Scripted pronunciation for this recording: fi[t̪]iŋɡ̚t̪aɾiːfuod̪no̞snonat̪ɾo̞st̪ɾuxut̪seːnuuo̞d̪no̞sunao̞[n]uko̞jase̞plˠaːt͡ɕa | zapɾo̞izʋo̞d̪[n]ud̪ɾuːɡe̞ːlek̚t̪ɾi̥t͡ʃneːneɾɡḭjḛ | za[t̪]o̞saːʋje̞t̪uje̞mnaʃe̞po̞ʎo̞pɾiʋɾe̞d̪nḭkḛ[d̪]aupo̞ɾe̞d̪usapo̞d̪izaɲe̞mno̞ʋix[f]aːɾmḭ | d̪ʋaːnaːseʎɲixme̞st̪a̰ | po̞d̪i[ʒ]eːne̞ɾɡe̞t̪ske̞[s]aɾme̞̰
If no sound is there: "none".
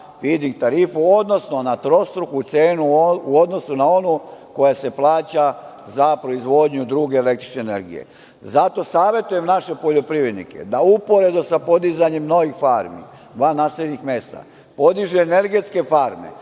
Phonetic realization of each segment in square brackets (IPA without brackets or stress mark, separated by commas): d̪, n, ɲ, t̪, d̪, f, ʒ, f